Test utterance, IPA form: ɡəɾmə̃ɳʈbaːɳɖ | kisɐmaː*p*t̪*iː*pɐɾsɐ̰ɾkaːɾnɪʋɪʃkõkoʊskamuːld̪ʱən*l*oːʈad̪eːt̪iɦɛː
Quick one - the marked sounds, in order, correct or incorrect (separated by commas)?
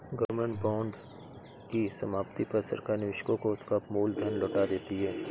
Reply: correct, incorrect, correct